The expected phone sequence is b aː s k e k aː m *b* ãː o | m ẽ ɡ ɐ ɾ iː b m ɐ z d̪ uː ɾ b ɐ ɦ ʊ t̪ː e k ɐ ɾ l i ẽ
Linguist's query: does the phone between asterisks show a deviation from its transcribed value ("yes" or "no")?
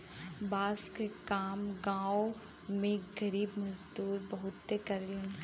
yes